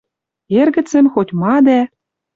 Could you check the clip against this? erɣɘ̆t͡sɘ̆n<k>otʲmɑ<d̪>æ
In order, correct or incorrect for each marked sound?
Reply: incorrect: x, correct

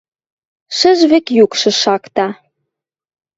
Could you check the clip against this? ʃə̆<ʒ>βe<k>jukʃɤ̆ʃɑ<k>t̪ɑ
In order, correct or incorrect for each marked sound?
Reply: correct, correct, correct

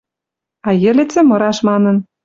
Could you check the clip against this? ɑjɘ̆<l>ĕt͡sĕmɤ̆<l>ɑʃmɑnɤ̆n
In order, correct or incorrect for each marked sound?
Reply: correct, incorrect: ɾ

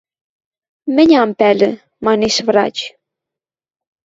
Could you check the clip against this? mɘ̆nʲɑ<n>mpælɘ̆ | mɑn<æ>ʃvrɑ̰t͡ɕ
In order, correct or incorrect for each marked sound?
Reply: incorrect: none, incorrect: e

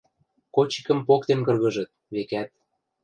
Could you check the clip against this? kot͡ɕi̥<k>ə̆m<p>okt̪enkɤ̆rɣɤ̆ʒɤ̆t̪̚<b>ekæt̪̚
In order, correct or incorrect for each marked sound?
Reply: correct, correct, incorrect: β

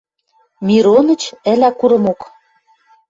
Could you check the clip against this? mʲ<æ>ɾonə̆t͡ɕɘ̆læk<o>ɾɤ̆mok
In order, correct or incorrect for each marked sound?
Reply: incorrect: i, incorrect: u

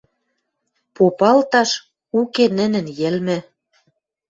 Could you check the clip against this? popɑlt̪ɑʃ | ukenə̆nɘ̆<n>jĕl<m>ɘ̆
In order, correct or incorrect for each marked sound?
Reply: correct, correct

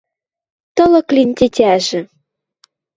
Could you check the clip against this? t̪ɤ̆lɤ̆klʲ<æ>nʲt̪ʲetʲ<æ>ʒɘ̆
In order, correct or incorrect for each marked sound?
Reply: incorrect: i, correct

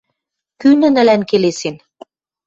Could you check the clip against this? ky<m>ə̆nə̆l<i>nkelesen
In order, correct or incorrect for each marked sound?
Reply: incorrect: n, incorrect: æ

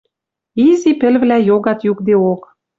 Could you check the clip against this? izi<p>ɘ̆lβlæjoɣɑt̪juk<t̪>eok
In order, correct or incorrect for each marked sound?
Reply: correct, incorrect: d̪

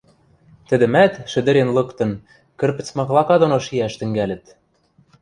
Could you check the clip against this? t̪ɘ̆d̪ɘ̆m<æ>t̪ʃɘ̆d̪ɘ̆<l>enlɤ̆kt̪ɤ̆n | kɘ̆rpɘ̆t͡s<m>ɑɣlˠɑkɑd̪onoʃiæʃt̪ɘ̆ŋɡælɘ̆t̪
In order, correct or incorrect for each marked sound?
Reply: correct, incorrect: ɾ, correct

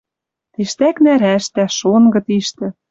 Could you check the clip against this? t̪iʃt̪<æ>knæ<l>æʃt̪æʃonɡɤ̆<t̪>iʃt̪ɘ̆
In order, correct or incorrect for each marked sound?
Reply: correct, incorrect: ɾ, correct

